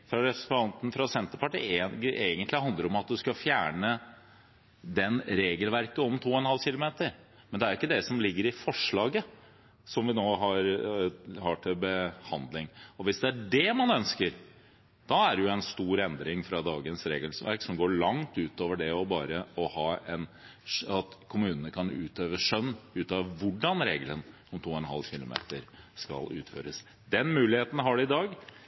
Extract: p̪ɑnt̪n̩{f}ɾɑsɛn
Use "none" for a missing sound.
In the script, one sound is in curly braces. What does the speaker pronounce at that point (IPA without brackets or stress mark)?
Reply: f